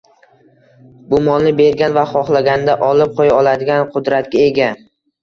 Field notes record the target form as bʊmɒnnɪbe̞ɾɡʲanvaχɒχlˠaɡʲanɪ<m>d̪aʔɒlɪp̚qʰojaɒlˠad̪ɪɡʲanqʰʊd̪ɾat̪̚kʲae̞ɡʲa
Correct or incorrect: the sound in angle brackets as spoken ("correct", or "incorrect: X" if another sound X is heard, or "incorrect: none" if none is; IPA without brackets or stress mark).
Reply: incorrect: none